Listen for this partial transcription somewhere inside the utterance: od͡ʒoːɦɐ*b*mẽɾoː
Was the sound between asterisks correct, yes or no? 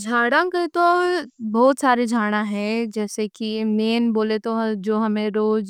no